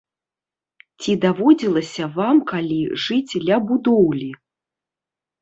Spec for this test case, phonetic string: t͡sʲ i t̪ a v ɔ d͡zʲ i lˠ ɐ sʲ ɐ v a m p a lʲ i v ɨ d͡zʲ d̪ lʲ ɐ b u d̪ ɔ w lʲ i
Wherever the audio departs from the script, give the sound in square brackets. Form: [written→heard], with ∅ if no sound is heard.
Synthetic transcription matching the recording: t͡sʲ i [t̪→d̪] a v ɔ d͡zʲ i lˠ ɐ sʲ ɐ v a m [p→k] a lʲ i [v→ʐ] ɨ d͡zʲ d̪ lʲ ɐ b u d̪ ɔ w lʲ i